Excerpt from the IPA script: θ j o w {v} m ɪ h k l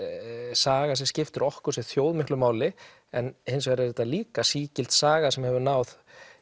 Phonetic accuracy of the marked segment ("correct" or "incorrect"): incorrect